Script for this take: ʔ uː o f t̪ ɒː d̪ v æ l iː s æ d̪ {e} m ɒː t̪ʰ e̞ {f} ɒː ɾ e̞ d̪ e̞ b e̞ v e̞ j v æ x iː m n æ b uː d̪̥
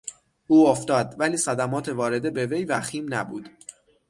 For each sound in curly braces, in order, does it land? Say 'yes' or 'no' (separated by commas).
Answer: no, no